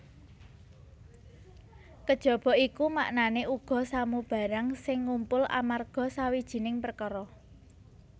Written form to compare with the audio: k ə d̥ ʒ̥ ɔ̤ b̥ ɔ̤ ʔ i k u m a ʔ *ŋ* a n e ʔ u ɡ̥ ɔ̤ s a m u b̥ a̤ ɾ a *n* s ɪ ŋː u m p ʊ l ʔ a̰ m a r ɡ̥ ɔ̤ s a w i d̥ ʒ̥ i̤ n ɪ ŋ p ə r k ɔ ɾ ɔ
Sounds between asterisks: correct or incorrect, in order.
incorrect, incorrect

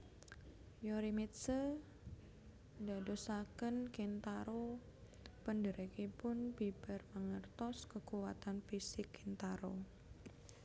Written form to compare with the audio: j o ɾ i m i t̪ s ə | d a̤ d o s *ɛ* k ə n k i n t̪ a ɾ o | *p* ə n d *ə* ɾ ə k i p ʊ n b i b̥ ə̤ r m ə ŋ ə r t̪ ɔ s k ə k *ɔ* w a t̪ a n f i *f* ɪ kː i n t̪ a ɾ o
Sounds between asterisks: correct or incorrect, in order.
incorrect, correct, correct, incorrect, incorrect

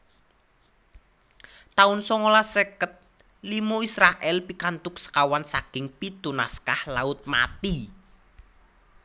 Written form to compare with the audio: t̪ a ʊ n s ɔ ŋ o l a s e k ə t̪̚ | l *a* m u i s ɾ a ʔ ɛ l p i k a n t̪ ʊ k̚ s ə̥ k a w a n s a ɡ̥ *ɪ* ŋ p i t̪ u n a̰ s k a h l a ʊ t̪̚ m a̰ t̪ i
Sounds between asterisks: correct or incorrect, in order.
incorrect, correct

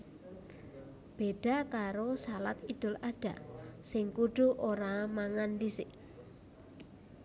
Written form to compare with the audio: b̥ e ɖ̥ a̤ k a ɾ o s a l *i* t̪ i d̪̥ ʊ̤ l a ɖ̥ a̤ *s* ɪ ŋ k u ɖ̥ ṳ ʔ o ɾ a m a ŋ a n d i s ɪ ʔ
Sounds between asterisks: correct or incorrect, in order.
incorrect, correct

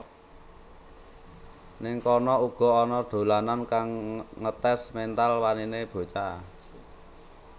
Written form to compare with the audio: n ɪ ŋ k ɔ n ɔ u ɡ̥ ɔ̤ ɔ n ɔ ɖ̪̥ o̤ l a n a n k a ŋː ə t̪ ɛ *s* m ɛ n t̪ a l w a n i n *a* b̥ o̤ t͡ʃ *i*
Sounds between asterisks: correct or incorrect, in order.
correct, incorrect, incorrect

